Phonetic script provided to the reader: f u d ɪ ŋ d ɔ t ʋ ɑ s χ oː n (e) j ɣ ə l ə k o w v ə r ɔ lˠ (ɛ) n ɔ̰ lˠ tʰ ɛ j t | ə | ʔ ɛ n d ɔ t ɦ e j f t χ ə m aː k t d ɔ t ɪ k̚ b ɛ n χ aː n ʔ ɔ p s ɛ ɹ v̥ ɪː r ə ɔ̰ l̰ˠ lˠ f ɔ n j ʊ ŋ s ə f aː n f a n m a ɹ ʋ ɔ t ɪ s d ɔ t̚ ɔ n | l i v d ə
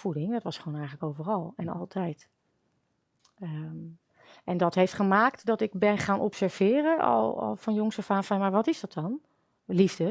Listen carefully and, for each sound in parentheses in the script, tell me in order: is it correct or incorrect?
incorrect: ɛ, correct

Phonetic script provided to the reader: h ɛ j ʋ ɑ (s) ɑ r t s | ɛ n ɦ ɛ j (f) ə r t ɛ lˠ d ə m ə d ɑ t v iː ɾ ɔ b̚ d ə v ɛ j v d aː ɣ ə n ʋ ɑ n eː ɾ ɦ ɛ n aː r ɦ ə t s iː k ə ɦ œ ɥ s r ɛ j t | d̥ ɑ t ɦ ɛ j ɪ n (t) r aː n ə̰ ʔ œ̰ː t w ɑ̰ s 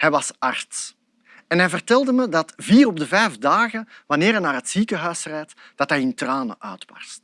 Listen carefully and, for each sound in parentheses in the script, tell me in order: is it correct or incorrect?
correct, incorrect: v, correct

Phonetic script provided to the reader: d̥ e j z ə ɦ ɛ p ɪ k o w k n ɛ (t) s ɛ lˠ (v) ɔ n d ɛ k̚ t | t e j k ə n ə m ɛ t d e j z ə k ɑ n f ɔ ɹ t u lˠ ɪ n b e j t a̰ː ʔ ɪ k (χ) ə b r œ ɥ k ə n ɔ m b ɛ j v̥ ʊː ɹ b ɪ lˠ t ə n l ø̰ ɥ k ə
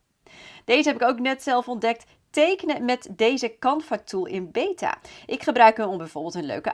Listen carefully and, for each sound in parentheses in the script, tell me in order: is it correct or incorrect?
correct, incorrect: f, correct

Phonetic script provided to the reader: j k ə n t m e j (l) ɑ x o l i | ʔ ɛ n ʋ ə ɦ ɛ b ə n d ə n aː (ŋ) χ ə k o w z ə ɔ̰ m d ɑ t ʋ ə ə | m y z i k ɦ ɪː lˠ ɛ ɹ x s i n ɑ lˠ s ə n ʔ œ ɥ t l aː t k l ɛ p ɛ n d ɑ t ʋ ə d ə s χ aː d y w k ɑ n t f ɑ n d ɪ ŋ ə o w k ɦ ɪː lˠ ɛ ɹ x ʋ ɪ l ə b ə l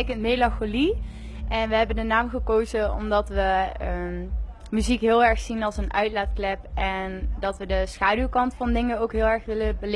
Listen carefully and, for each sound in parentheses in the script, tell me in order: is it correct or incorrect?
correct, incorrect: m

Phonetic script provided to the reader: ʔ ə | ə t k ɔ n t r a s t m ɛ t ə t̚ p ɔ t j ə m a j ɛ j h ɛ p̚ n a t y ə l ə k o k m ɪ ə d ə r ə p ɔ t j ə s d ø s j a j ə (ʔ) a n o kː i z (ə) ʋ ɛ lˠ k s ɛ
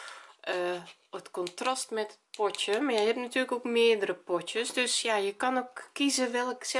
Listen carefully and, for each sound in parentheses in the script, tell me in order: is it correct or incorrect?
incorrect: k, correct

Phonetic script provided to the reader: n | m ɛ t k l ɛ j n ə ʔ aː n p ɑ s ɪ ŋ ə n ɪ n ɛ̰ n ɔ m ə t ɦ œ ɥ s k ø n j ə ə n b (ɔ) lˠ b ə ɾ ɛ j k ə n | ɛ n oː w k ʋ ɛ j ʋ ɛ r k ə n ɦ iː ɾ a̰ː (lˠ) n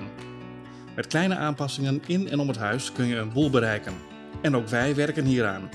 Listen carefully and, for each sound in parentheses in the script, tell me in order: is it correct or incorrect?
incorrect: u, incorrect: none

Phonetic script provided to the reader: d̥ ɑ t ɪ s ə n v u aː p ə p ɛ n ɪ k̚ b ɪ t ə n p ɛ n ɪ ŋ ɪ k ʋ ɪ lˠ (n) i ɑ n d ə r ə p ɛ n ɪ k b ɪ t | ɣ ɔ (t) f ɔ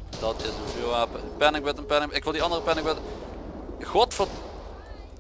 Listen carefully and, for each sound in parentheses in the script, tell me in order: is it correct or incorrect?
incorrect: d, correct

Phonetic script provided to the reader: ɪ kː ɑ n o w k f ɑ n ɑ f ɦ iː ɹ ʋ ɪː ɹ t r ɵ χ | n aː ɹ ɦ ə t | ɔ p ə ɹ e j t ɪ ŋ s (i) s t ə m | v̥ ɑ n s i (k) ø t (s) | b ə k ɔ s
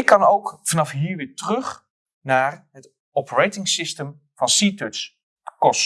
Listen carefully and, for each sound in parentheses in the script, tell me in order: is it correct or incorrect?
incorrect: ɪ, incorrect: t, correct

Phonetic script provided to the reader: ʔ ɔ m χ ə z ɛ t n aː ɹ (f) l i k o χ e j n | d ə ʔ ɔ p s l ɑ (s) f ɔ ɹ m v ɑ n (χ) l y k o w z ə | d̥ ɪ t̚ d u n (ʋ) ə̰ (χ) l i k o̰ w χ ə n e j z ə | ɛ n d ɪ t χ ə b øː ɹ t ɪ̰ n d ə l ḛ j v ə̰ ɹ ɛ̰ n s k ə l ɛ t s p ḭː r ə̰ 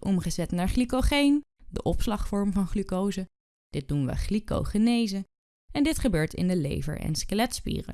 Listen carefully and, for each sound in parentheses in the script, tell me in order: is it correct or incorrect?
incorrect: χ, incorrect: χ, correct, correct, correct

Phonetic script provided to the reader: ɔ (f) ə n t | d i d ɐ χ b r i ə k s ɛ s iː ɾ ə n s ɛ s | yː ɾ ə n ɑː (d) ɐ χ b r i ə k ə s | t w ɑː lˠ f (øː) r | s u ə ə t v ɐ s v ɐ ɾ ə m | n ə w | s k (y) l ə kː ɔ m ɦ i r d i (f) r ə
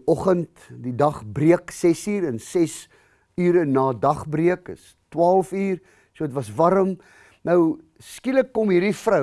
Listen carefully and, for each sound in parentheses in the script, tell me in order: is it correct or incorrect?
incorrect: χ, correct, incorrect: yː, incorrect: i, correct

